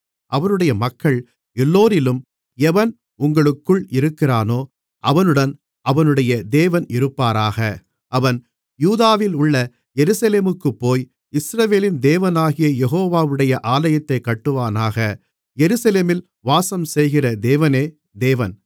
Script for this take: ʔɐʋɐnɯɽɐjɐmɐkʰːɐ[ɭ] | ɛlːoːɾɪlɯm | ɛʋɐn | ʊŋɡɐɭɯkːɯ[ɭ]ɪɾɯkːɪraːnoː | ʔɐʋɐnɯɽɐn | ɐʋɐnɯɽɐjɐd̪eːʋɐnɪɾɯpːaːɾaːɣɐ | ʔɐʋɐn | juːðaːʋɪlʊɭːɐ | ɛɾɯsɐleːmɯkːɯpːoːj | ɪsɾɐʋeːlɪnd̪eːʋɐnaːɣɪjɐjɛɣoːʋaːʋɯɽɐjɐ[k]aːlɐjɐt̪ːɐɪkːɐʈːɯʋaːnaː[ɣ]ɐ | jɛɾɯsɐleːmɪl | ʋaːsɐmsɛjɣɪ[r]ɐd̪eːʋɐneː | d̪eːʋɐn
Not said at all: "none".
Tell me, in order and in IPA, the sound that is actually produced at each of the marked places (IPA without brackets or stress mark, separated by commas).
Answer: ɭ, ɭ, ʔ, ɣ, r